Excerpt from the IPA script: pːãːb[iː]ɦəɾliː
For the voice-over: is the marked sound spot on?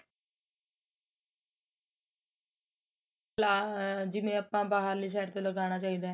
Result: no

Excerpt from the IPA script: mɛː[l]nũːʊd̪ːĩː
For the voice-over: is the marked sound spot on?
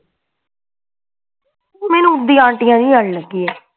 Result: no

